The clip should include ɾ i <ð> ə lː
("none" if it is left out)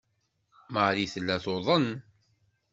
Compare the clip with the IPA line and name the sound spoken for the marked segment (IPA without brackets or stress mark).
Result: θ